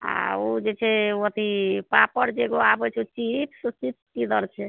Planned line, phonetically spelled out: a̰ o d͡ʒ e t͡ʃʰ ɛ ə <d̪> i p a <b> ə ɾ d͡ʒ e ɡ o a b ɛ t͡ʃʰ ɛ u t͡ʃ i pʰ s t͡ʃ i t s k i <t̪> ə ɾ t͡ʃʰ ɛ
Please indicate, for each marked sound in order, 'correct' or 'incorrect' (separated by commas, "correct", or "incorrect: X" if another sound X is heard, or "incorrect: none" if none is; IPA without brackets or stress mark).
incorrect: t̪, incorrect: p, incorrect: d̪